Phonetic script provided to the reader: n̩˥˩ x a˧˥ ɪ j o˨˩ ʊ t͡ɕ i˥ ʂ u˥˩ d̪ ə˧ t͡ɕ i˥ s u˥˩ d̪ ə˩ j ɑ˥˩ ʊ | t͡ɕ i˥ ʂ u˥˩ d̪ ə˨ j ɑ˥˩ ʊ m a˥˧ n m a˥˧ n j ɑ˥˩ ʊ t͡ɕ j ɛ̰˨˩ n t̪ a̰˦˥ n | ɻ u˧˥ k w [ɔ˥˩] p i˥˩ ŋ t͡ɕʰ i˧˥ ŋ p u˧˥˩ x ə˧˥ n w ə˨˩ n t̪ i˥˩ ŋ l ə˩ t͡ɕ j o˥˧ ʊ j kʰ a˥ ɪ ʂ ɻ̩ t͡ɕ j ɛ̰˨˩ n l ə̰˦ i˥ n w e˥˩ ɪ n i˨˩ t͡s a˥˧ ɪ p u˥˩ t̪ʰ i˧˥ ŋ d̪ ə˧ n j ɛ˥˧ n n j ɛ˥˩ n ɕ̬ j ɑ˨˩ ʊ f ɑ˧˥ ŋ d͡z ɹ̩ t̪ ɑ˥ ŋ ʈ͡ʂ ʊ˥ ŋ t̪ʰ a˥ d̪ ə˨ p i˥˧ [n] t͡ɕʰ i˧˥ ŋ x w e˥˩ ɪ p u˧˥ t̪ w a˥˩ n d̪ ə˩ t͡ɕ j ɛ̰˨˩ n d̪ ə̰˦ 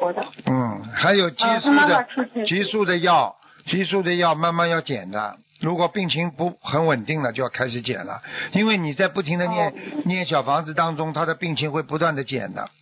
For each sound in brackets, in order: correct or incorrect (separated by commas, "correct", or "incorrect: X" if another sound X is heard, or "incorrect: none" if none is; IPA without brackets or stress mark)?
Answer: incorrect: ɔ˨˩, incorrect: ŋ